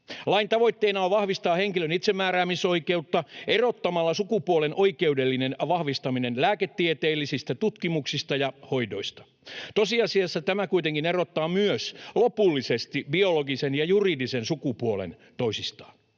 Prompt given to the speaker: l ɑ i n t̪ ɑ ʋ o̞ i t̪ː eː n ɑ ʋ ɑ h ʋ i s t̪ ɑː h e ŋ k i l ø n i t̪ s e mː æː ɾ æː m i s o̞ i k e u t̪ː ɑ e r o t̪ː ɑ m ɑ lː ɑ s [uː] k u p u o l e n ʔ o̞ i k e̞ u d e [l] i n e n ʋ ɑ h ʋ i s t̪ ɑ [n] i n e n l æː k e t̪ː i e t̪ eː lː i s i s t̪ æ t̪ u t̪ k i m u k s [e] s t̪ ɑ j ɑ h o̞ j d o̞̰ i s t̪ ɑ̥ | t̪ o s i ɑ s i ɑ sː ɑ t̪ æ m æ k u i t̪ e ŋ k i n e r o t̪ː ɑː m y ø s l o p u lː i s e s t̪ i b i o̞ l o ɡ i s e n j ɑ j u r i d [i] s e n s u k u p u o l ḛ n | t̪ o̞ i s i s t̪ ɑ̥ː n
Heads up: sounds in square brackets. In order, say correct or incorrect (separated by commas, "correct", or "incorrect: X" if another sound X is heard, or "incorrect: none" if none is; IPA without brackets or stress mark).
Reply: incorrect: u, incorrect: lː, incorrect: m, incorrect: i, correct